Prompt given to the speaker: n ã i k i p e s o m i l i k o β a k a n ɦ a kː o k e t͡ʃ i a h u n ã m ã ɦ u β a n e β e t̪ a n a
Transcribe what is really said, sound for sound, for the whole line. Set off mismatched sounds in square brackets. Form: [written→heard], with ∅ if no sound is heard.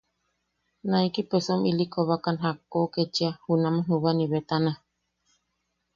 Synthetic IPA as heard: n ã i k i p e s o m i l i k o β a k a n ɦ a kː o k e t͡ʃ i a h u n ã m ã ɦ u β a n [e→i] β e t̪ a n a